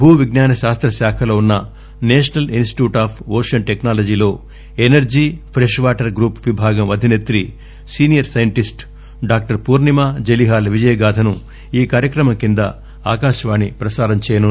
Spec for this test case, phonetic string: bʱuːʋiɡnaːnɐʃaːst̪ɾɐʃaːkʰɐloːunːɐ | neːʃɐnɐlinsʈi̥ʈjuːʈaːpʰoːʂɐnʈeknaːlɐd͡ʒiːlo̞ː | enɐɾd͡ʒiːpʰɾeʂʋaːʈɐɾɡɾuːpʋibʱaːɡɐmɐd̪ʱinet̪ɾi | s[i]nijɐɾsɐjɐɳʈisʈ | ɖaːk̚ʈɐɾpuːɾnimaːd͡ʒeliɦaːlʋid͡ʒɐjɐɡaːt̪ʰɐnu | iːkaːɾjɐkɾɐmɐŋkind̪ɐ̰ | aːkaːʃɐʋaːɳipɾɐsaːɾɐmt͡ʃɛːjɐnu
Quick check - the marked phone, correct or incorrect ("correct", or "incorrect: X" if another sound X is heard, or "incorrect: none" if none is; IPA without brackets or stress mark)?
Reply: incorrect: iː